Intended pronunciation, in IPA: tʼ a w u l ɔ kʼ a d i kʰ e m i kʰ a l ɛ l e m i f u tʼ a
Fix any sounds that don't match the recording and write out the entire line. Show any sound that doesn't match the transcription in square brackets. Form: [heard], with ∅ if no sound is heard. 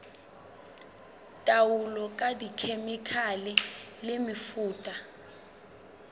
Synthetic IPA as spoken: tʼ a w u l ɔ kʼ a d i kʰ e m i kʰ a l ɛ l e m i f [uː] tʼ a